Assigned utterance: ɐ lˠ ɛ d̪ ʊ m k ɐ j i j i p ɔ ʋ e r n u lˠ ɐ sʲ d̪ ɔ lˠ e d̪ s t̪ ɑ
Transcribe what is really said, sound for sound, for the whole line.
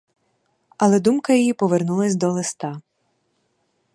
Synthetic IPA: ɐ lˠ ɛ d̪ u m k ɐ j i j i p ɔ ʋ e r n u lˠ ɐ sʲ d̪ ɔ lˠ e s t̪ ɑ